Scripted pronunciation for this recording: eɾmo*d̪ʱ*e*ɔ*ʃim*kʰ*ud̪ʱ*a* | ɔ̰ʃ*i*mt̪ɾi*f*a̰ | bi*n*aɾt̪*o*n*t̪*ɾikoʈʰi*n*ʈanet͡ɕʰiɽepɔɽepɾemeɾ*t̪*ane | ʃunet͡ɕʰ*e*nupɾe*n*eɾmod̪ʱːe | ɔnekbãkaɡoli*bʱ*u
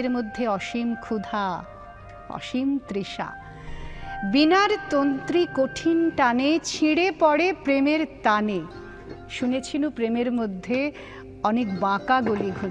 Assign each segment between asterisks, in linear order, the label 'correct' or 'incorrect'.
incorrect, correct, correct, correct, correct, incorrect, correct, correct, correct, correct, correct, incorrect, incorrect, incorrect

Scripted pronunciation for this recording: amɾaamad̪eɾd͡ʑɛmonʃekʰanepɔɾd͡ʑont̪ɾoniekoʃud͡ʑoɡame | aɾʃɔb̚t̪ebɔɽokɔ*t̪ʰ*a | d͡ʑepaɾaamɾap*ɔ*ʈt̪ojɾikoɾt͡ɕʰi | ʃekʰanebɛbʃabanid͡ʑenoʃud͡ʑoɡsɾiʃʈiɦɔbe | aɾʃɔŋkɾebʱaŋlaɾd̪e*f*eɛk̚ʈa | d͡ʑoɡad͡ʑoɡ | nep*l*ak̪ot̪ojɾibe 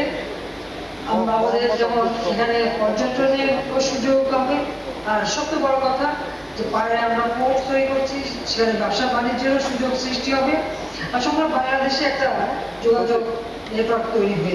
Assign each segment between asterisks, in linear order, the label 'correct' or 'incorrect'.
correct, incorrect, incorrect, incorrect

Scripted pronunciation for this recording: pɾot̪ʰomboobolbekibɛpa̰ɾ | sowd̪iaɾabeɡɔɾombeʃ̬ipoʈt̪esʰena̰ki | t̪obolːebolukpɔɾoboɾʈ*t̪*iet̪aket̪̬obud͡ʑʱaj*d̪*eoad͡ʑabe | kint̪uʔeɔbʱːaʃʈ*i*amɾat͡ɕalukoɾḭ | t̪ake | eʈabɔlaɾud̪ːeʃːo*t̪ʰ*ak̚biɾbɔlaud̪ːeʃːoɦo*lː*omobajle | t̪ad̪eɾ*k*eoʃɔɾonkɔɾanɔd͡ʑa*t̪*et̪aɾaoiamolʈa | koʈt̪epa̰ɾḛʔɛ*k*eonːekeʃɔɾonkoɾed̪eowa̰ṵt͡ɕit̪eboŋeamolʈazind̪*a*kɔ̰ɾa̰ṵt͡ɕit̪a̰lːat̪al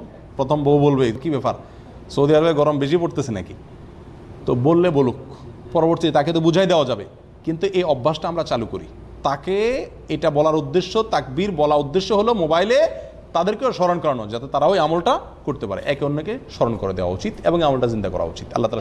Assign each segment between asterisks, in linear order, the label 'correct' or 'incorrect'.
correct, correct, incorrect, incorrect, incorrect, correct, correct, correct, correct

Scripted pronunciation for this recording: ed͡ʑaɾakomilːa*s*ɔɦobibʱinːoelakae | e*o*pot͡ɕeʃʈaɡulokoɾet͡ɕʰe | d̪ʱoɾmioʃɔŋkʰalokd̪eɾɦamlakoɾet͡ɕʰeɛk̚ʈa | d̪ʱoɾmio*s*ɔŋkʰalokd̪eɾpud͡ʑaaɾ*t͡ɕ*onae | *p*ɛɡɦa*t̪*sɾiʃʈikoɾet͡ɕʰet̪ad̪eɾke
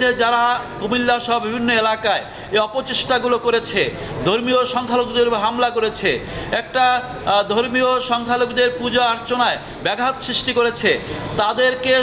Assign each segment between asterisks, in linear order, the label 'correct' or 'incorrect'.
incorrect, incorrect, incorrect, correct, incorrect, correct

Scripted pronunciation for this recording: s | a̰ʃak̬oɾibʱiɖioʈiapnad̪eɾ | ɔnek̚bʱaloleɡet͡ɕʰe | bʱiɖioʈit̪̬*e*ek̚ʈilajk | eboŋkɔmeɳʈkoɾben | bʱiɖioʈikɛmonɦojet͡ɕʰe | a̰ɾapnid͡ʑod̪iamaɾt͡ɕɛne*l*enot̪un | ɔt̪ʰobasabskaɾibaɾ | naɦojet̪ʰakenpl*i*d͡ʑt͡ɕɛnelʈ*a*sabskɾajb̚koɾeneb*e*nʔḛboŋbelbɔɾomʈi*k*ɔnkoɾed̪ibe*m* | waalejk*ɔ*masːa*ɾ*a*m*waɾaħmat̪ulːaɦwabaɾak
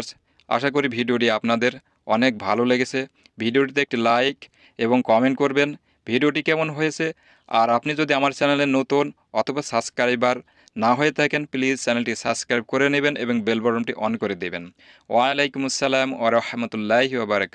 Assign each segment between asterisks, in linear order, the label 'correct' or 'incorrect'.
correct, correct, correct, incorrect, correct, incorrect, incorrect, incorrect, incorrect, correct

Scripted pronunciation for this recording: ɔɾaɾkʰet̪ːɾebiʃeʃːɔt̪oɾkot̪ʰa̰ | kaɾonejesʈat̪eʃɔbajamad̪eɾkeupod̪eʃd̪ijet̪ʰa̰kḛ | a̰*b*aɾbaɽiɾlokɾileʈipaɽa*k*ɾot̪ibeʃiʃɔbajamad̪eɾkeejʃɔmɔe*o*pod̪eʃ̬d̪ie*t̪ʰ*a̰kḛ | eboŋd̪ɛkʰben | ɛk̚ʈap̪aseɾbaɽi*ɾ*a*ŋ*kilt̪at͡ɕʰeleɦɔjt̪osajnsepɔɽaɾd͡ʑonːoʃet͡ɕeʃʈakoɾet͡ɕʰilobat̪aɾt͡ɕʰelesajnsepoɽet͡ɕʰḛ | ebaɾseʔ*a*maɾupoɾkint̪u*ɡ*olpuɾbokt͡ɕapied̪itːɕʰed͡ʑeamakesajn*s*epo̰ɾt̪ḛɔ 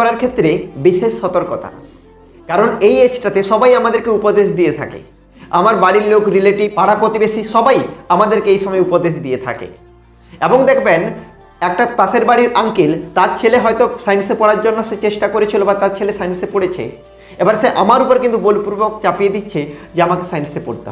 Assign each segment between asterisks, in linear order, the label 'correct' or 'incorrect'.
incorrect, incorrect, incorrect, correct, correct, correct, correct, incorrect, correct

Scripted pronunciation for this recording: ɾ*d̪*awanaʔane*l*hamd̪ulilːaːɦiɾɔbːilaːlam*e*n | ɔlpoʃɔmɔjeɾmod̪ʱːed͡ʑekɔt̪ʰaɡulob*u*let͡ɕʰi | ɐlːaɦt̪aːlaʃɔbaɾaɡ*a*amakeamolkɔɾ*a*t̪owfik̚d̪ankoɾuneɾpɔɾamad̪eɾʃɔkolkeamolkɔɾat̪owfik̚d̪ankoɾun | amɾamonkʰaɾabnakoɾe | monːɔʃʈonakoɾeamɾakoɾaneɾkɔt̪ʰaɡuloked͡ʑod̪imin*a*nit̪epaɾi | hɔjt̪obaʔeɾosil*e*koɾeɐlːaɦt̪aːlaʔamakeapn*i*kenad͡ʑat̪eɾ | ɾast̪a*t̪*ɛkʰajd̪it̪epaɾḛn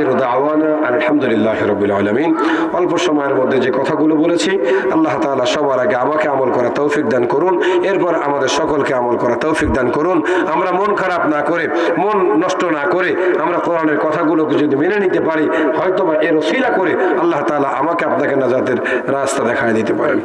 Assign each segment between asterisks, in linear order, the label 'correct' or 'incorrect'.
correct, correct, incorrect, incorrect, incorrect, correct, incorrect, incorrect, incorrect, incorrect

